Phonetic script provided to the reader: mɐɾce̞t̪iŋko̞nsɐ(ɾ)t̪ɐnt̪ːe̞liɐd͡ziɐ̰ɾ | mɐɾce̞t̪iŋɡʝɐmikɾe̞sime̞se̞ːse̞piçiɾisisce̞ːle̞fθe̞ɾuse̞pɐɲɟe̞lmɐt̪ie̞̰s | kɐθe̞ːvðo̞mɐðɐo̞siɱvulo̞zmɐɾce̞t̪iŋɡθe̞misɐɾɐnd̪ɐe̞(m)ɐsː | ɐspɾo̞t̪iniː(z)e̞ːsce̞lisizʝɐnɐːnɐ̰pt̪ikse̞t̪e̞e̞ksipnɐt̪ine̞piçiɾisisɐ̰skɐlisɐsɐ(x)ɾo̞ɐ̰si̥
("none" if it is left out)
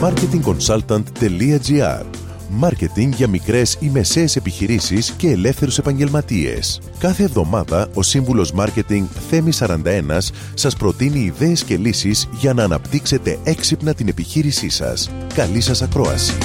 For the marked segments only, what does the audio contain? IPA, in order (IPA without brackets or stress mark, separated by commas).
l, n, ð, k